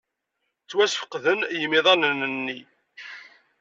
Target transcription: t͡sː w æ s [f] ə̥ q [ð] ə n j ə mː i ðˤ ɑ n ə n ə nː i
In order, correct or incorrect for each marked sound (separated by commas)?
correct, correct